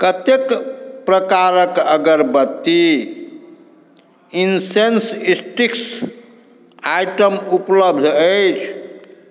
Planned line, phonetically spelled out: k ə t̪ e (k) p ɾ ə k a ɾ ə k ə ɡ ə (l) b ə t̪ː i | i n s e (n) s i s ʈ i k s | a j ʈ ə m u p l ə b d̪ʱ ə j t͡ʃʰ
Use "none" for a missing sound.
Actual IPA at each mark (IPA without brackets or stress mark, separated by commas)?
k, ɾ, n